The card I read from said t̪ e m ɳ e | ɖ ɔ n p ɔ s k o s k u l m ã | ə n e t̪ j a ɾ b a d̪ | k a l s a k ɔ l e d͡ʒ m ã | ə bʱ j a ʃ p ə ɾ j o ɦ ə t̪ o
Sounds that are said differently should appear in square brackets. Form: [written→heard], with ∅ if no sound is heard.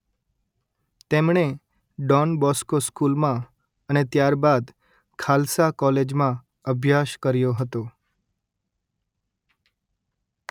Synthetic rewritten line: t̪ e m ɳ e | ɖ ɔ n [p→b] ɔ s k o s k u l m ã | ə n e t̪ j a ɾ b a d̪ | [k→kʰ] a l s a k ɔ l e d͡ʒ m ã | ə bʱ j a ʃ [p→k] ə ɾ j o ɦ ə t̪ o